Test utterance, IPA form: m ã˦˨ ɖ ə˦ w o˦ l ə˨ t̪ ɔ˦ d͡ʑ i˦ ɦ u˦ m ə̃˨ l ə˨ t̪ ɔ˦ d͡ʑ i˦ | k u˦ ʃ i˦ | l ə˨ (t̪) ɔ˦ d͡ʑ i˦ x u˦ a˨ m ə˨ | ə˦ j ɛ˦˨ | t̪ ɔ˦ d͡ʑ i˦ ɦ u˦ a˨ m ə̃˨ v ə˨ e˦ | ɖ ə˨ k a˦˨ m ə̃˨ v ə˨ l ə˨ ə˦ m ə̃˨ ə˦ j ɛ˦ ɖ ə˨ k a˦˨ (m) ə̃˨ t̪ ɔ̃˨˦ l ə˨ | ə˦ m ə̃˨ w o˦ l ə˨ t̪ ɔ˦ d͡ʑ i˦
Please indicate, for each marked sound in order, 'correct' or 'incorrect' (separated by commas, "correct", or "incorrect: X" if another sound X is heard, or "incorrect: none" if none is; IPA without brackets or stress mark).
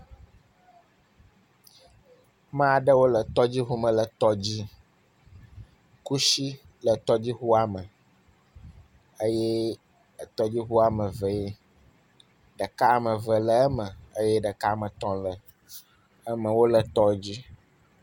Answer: correct, correct